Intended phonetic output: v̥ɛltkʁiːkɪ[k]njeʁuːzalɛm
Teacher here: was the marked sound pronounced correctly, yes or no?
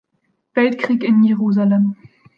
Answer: no